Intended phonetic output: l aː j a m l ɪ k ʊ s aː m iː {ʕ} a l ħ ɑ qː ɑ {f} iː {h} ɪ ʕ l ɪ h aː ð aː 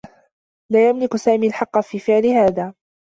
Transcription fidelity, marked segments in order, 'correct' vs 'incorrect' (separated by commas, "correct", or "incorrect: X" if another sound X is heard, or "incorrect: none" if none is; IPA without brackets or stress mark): incorrect: none, correct, incorrect: f